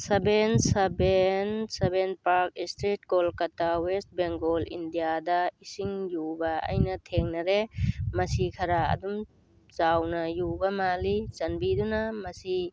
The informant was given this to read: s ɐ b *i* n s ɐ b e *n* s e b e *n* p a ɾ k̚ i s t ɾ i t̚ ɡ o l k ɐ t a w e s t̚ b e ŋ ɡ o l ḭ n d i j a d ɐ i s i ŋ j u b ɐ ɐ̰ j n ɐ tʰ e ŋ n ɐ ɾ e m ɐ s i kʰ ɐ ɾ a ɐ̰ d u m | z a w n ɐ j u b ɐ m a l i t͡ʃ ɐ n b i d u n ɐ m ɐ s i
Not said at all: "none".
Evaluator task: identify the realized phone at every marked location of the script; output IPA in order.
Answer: e, n, n

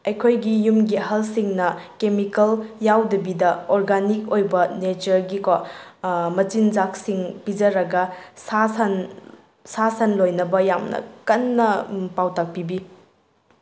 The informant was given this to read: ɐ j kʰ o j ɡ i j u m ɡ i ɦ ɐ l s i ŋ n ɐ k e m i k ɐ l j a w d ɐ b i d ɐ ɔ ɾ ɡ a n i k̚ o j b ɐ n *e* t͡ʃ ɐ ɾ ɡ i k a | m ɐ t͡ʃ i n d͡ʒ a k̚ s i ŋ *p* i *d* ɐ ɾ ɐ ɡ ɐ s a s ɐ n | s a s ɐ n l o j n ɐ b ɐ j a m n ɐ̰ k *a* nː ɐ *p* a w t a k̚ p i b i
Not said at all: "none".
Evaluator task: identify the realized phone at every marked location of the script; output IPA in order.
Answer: e, p, d͡ʒ, ɐ, p

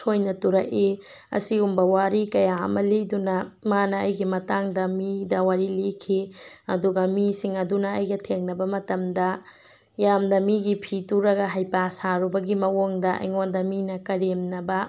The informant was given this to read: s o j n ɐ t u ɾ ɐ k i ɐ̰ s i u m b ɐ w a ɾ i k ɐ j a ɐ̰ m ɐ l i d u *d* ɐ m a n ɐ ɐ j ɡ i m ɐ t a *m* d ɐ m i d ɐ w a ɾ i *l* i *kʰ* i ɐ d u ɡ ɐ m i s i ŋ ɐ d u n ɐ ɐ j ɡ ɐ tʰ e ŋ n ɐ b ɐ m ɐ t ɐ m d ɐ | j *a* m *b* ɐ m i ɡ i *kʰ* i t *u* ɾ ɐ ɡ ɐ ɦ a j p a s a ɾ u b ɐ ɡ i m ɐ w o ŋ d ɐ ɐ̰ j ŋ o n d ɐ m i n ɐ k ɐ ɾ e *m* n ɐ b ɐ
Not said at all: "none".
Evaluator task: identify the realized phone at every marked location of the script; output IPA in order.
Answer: n, ŋ, l, kʰ, a, d, pʰ, u, m

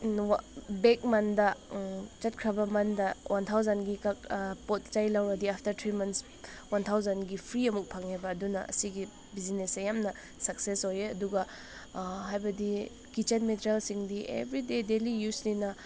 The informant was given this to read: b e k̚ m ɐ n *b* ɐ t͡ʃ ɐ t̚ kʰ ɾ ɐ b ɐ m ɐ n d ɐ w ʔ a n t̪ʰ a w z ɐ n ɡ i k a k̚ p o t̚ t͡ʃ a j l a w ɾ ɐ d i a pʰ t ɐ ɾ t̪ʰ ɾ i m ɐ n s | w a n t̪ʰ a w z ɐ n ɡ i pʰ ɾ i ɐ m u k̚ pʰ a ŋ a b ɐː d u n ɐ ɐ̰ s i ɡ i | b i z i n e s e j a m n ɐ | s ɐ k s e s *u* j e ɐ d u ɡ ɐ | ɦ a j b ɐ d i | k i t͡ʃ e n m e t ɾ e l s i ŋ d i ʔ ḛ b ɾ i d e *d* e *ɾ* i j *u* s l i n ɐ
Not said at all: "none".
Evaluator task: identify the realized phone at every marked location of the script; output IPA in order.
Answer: d, o, d, l, u

